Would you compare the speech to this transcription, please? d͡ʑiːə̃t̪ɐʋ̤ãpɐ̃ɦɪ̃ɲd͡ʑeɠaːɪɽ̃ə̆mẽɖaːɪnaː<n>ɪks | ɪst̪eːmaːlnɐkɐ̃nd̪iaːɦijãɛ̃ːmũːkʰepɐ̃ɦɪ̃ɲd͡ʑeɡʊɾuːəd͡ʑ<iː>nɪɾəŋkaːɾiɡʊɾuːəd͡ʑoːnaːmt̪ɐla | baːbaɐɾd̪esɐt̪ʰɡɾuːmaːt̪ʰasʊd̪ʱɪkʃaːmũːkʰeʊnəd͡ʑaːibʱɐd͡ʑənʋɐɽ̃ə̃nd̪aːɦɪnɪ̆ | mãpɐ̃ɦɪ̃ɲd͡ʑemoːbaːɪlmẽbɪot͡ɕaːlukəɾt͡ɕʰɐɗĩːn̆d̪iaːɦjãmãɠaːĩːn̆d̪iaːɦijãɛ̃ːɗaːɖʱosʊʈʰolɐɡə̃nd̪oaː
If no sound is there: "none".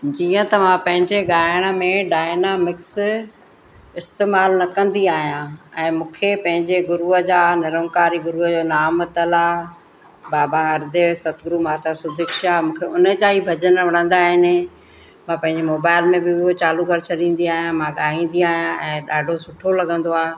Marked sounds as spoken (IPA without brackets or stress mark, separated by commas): m, aː